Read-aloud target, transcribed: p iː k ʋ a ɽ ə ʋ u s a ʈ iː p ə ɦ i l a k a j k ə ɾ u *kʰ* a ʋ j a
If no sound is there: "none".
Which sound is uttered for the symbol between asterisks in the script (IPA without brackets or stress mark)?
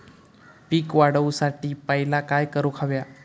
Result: kʰ